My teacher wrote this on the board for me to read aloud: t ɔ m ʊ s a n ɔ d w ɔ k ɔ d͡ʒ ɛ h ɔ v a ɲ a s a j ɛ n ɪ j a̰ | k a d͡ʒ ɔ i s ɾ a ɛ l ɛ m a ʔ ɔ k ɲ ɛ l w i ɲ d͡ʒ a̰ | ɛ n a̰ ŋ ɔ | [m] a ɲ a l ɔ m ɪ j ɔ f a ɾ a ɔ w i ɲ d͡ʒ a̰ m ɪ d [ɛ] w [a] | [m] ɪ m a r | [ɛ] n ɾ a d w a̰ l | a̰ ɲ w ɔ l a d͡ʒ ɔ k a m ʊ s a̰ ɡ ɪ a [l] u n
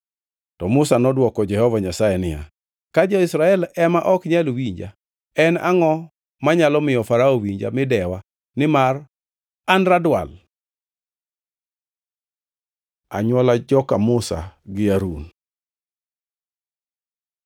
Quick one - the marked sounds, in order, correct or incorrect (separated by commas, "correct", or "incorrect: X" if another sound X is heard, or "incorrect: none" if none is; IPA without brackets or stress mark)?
correct, correct, correct, incorrect: n, incorrect: a, incorrect: ɾ